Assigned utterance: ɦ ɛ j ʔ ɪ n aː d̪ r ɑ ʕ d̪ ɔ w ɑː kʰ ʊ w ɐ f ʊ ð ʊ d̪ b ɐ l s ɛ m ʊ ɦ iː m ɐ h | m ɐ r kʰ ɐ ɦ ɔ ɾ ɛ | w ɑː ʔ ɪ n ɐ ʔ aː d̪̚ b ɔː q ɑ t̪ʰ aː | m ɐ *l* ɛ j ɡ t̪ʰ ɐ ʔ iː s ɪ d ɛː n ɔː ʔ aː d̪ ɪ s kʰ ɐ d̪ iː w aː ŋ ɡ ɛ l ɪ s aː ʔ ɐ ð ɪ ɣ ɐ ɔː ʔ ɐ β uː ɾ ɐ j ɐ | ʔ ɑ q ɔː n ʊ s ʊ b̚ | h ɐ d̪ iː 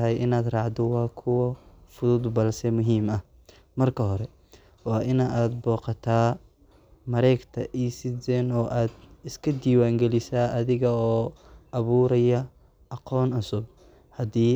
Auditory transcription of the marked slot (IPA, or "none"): ɾ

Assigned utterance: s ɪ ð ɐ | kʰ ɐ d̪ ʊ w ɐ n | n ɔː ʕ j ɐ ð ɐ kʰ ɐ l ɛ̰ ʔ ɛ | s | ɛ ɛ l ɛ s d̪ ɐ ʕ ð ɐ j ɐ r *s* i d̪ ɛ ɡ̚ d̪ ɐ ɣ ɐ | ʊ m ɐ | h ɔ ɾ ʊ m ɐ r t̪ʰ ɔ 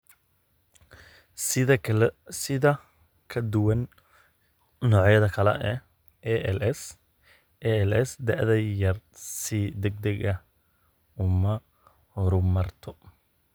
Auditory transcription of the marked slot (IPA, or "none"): s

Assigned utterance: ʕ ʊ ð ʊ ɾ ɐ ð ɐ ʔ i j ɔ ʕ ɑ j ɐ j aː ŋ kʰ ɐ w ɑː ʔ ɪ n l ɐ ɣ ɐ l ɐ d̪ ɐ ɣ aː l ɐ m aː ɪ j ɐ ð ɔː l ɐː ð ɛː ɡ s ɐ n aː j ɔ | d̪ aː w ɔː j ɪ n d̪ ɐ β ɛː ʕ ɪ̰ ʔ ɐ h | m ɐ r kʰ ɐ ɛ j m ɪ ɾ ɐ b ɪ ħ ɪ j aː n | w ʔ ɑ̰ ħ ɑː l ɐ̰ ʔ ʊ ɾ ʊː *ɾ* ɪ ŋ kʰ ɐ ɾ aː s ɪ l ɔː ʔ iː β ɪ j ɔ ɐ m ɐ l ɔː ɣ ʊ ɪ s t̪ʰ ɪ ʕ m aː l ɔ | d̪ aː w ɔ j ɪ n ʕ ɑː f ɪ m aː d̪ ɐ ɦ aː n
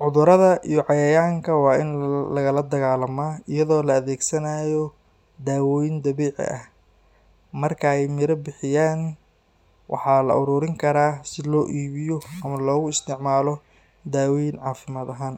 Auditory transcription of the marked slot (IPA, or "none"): ɾ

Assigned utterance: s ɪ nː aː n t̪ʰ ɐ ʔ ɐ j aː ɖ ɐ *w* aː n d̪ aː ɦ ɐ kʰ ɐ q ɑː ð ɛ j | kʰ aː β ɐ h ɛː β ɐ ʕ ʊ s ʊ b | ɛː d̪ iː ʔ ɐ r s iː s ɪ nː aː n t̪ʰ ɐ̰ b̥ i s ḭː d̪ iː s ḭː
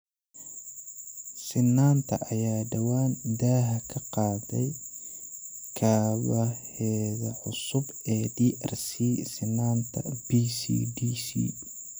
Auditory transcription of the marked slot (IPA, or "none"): w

